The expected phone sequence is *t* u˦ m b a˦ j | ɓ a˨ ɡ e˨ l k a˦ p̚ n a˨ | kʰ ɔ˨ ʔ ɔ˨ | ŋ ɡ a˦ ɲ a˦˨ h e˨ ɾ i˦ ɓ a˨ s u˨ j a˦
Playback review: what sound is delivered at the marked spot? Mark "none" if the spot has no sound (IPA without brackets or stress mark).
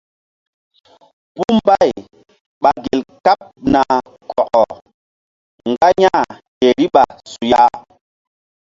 p